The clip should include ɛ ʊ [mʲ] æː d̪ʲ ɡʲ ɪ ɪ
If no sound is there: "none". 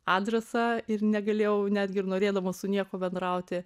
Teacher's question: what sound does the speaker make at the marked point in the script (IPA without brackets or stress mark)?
nʲ